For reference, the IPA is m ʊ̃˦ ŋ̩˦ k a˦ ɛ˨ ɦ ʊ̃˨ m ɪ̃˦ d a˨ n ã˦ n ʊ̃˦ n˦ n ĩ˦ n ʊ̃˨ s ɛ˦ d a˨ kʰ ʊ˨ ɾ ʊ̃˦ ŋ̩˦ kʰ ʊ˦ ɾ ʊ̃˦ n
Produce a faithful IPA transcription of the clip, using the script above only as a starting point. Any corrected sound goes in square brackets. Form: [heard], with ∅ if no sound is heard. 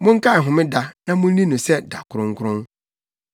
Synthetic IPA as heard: m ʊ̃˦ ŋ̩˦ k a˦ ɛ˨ ɦ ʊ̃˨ m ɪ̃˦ d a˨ n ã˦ [m] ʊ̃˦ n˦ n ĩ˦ n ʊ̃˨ s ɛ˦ d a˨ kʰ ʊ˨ ɾ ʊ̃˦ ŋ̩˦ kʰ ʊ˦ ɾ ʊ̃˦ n